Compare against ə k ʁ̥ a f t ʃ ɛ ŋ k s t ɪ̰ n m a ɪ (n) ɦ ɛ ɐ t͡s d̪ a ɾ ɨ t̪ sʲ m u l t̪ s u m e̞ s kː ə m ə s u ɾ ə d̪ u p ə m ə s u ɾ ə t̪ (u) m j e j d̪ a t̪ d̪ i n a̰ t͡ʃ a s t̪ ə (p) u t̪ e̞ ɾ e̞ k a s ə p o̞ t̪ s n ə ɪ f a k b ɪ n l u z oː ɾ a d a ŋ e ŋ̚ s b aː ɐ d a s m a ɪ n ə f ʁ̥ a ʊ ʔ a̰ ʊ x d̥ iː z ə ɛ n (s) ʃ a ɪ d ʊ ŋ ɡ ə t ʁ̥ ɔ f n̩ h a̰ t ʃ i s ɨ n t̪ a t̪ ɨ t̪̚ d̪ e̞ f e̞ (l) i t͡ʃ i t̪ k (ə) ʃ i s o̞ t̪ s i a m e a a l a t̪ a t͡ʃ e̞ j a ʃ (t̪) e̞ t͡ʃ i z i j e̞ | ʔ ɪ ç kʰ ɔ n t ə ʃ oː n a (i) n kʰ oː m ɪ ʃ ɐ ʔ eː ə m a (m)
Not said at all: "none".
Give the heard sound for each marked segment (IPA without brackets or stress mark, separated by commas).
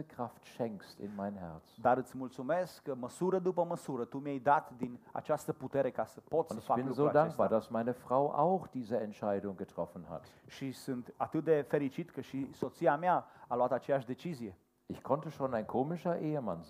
n, u, p, t, ɾ, ə, d̪, ɪ, n